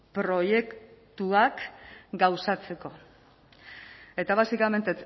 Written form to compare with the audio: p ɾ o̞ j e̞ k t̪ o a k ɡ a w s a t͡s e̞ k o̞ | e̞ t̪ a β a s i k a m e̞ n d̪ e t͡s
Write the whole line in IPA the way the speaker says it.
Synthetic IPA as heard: p ɾ o̞ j e̞ k t̪ u a k ɡ a w s a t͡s e̞ k o̞ | e̞ t̪ a β a s i k a m e̞ n t̪ e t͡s